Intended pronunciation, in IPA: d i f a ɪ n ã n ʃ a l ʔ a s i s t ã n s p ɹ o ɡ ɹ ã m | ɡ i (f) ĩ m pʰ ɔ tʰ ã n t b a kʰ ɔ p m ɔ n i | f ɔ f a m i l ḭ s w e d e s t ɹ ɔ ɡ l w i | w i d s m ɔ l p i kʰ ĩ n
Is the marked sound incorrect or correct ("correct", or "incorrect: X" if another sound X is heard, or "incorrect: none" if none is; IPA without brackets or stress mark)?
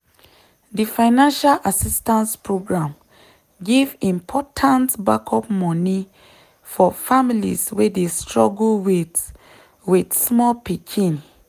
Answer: incorrect: v